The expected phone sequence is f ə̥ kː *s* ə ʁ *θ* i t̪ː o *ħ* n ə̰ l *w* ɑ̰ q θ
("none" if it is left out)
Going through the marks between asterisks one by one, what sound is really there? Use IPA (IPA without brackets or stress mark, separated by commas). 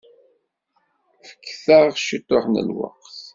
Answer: θ, ʃ, ħ, w